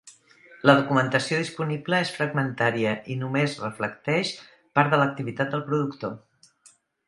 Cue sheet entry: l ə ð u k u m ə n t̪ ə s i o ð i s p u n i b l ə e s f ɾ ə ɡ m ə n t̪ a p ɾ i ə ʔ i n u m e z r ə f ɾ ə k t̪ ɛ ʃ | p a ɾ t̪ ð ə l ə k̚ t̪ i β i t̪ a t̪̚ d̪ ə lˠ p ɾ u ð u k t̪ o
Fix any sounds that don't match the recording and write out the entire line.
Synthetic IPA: l ə ð u k u m ə n t̪ ə s i o ð i s p u n i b l ə e s f ɾ ə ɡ m ə n t̪ a ɾ i ə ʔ i n u m e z r ə f l ə k t̪ ɛ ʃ | p a ɾ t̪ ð ə l ə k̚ t̪ i β i t̪ a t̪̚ d̪ ə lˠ p ɾ u ð u k t̪ o